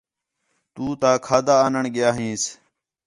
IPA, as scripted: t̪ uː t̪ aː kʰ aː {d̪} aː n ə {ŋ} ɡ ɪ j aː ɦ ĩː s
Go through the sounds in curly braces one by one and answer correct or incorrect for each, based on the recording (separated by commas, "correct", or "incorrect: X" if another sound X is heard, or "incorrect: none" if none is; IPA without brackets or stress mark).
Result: correct, incorrect: ɳ